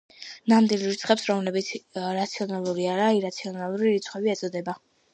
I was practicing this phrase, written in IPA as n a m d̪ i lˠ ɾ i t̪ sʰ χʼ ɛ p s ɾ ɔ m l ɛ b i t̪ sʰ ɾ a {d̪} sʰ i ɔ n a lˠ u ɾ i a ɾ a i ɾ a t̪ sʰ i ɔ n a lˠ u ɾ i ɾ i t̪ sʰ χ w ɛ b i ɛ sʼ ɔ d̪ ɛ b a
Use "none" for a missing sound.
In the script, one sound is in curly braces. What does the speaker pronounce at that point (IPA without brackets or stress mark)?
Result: t̪